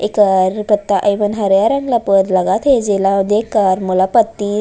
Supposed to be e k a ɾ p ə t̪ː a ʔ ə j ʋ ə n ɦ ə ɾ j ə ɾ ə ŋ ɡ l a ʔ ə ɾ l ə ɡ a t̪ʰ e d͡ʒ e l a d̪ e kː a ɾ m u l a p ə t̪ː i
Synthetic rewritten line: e k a ɾ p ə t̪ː a ʔ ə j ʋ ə n ɦ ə ɾ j a ɾ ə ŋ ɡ l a p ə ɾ l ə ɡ a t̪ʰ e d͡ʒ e l a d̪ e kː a ɾ m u l a p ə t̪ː i